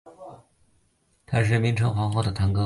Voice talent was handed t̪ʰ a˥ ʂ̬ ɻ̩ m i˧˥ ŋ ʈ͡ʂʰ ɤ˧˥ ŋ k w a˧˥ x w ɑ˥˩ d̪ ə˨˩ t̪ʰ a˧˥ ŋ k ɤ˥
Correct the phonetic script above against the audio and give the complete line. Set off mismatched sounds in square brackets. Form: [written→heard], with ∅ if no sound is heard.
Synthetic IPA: t̪ʰ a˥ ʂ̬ ɻ̩ m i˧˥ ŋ ʈ͡ʂʰ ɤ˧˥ ŋ [k→x] w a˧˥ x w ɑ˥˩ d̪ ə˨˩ t̪ʰ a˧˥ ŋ k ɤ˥